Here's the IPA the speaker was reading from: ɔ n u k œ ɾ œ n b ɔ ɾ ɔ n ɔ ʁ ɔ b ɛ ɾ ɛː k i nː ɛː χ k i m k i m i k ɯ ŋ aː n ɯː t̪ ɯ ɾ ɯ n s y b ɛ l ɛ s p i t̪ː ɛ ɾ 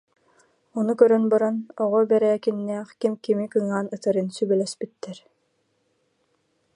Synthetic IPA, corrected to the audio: ɔ n u k œ ɾ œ n b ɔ ɾ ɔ n ɔ ʁ ɔ b ɛ ɾ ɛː k i nː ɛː χ k i m k i m i k ɯ ŋ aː n ɯ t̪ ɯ ɾ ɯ n s y b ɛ l ɛ s p i t̪ː ɛ ɾ

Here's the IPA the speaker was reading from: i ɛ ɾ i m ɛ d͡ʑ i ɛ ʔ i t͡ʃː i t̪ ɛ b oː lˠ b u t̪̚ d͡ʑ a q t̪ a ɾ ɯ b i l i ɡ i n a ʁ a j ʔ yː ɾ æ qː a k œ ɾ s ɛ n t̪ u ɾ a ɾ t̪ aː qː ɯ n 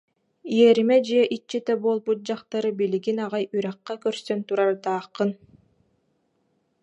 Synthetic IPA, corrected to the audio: i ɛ ɾ i m ɛ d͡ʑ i ɛ ʔ i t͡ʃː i t̪ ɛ b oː lˠ b u t̪̚ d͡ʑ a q t̪ a ɾ ɯ b i l i ɡ i n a ʁ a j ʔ y ɾ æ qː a k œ ɾ s œ n t̪ u ɾ a ɾ t̪ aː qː ɯ n

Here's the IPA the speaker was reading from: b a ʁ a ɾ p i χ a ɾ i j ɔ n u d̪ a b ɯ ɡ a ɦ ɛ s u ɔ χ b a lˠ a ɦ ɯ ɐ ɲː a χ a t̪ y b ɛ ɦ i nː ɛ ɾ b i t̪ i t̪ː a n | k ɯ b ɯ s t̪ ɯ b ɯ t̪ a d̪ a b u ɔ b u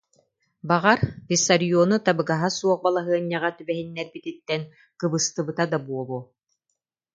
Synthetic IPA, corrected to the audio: b a ʁ a ɾ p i s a ɾ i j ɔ n u t̪ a b ɯ ɡ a ɦ a s u ɔ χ b a lˠ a ɦ ɯ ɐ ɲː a ʁ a t̪ y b ɛ ɦ i nː ɛ ɾ b i t̪ i t̪ː ɛ n | k ɯ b ɯ s t̪ ɯ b ɯ t̪ a d̪ a b u ɔ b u

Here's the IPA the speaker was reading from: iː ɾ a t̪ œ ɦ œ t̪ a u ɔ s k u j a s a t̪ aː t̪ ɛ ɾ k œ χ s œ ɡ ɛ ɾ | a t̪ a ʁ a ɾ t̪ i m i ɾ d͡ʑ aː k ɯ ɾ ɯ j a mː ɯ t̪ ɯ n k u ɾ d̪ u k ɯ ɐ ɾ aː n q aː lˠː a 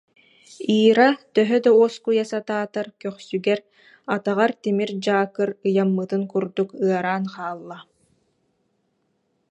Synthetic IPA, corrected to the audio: iː ɾ a t̪ œ ɦ œ d̪ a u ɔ s k u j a s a t̪ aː t̪ a ɾ k œ χ s y ɡ ɛ ɾ | a t̪ a ʁ a ɾ t̪ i m i ɾ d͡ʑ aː k ɯ ɾ ɯ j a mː ɯ t̪ ɯ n k u ɾ d̪ u k ɯ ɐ ɾ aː n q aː lˠː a

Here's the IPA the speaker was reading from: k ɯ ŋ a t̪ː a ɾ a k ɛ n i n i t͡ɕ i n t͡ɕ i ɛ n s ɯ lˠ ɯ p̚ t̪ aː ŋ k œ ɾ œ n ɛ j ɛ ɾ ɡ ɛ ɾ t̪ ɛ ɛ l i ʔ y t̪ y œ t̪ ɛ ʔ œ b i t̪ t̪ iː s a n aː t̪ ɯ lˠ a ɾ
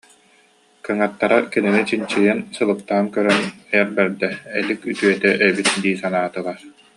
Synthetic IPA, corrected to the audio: k ɯ ŋ a t̪ː a ɾ a k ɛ n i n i t͡ɕ i n t͡ɕ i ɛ n s ɯ lˠ ɯ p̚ t̪ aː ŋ k œ ɾ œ n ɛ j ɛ ɾ b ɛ ɾ d̪ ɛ ɛ l i k y t̪ y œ t̪ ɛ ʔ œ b i t̪ d̪ iː s a n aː t̪ ɯ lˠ a ɾ

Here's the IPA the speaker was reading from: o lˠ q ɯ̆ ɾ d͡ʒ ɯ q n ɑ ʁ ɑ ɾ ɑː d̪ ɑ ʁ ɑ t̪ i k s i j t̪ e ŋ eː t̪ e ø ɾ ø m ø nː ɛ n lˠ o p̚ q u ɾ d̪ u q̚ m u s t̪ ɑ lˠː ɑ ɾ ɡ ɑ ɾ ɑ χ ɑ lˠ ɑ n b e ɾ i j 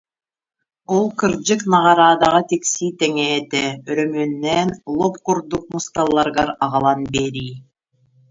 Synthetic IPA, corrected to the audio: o lˠ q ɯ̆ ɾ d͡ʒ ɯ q n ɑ ʁ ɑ ɾ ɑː d̪ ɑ ʁ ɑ t̪ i k s i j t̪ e ŋ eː t̪ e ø ɾ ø m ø nː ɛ n lˠ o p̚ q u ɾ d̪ u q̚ m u s t̪ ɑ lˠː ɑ ɾ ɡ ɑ ɾ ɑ ʁ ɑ lˠ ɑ n b e ɾ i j

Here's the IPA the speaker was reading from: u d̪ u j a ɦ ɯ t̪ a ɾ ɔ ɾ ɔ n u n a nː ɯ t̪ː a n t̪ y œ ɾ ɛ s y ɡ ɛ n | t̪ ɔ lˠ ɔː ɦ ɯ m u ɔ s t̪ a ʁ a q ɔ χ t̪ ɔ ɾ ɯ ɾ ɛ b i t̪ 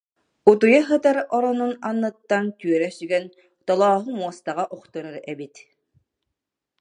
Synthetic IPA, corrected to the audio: u t̪ u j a ɦ ɯ t̪ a ɾ ɔ ɾ ɔ n u n a nː ɯ t̪ː a n t̪ y œ ɾ ɛ s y ɡ ɛ n | t̪ ɔ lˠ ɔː ɦ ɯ m u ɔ s t̪ a ʁ a ʔ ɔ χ t̪ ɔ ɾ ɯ ɾ ɛ b i t̪

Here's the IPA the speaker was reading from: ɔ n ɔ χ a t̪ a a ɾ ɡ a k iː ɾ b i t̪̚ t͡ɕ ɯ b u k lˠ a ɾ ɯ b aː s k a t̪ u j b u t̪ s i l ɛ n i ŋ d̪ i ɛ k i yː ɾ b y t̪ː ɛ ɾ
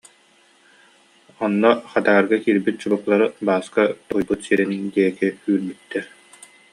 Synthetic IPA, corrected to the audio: ɔ nː ɔ χ a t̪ a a ɾ ɡ a k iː ɾ b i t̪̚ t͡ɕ u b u k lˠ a ɾ ɯ b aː s k a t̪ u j b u t̪ s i ɾ ɛ n i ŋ d̪ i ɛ k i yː ɾ b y t̪ː ɛ ɾ

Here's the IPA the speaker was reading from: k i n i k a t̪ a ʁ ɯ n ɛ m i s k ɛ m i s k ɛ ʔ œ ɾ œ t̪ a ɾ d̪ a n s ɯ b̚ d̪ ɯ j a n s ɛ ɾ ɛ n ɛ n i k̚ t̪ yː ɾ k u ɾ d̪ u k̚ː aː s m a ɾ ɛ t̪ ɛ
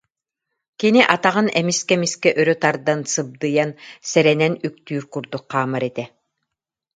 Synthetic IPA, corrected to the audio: k i n i ʔ a t̪ a ʁ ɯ n ɛ m i s k ɛ m i s k ɛ ʔ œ ɾ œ t̪ a ɾ d̪ a n s ɯ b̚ d̪ ɯ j a n s ɛ ɾ ɛ n ɛ n y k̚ t̪ yː ɾ k u ɾ d̪ u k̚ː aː m a ɾ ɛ t̪ ɛ

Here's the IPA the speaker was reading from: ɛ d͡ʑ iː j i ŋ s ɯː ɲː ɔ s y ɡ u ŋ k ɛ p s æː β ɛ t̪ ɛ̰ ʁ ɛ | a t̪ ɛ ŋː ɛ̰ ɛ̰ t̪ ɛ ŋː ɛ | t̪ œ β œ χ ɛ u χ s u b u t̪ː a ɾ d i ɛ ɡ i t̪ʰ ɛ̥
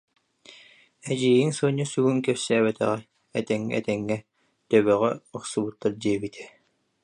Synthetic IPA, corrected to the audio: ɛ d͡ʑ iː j i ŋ s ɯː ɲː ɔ s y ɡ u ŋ k ɛ p s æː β ɛ t̪ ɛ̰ ʁ ɛ | ɛ t̪ ɛ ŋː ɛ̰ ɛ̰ t̪ ɛ ŋː ɛ | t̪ œ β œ ʁ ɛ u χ s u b u t̪ː a ɾ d i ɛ b i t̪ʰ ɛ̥

